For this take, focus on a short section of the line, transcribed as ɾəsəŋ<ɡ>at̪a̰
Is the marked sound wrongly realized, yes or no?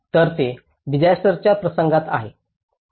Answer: no